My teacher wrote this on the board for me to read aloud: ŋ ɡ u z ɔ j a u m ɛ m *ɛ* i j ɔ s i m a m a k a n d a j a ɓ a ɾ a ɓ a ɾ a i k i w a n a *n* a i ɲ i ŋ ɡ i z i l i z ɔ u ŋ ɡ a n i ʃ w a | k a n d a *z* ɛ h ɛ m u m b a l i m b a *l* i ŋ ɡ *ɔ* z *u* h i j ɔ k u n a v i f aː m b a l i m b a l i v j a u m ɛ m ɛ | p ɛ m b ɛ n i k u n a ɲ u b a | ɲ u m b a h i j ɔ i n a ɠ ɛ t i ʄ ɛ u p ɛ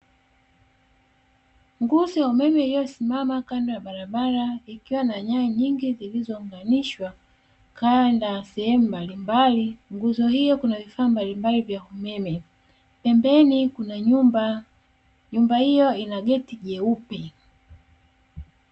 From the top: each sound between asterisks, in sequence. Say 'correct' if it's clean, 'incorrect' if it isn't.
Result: correct, incorrect, incorrect, correct, incorrect, incorrect

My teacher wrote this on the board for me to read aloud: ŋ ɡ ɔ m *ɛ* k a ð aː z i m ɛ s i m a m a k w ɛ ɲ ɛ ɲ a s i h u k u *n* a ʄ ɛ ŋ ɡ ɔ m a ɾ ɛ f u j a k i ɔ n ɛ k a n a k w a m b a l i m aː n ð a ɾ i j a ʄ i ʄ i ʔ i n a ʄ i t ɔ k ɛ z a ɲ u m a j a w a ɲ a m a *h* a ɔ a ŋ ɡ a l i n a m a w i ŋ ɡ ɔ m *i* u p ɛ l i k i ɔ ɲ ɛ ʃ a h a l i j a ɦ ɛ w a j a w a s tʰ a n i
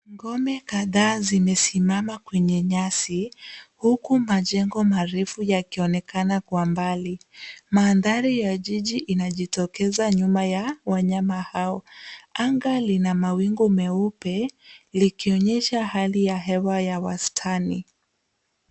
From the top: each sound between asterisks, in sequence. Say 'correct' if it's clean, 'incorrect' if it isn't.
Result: correct, incorrect, correct, incorrect

